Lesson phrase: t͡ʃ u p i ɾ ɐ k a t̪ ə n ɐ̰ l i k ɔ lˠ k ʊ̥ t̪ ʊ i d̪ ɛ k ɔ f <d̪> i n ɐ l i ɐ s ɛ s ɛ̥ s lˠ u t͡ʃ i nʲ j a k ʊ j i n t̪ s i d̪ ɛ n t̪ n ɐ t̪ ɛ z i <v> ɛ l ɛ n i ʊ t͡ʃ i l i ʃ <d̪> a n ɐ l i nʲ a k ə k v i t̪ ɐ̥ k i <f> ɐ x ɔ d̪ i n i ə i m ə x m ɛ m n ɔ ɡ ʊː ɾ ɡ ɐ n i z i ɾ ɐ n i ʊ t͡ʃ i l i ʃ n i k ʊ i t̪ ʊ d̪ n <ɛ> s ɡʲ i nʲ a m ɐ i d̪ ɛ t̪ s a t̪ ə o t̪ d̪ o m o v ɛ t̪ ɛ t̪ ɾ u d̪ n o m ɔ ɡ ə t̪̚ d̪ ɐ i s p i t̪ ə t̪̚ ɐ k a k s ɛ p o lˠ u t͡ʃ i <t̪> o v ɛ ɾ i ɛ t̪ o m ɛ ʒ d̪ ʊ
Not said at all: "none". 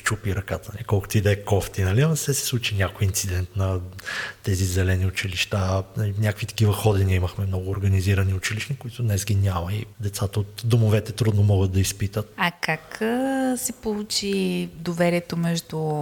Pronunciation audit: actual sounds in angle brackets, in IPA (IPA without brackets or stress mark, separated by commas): t̪, z, t̪, v, ɛ, d̪